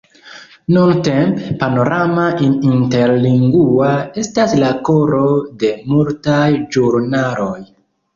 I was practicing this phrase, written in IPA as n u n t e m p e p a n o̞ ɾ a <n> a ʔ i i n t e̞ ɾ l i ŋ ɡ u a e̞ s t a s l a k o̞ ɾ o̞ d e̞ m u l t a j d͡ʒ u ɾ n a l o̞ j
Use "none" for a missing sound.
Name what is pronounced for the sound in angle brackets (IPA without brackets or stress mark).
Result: m